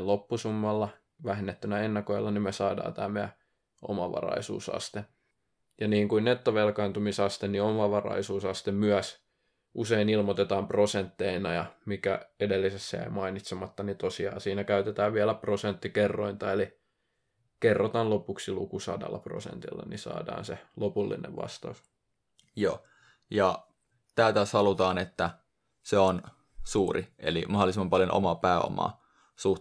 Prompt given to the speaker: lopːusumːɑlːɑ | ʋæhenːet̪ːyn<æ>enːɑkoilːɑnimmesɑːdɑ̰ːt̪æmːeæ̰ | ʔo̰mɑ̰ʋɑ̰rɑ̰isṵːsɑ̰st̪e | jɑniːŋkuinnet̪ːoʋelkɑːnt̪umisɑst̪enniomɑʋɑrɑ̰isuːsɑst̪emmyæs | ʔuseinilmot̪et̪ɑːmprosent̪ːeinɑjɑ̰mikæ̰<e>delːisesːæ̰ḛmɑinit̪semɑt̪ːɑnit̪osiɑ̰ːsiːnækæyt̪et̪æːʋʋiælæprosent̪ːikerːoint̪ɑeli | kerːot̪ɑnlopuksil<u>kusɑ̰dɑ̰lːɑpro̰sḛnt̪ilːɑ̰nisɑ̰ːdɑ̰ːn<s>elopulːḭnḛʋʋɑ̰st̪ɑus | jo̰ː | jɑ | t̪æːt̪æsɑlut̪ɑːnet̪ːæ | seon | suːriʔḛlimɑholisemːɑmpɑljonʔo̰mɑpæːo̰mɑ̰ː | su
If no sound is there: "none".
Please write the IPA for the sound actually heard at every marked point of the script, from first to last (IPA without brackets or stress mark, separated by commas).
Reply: æ, e, u, s